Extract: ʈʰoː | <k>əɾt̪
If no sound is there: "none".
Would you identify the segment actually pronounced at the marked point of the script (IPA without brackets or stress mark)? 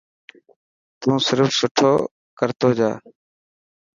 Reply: k